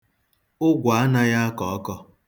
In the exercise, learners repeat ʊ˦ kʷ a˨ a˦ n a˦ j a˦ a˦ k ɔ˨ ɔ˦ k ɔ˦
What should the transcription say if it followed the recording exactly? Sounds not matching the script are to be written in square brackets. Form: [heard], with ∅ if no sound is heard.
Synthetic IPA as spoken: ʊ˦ [ɡʷ] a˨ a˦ n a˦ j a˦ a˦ k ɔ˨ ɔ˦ k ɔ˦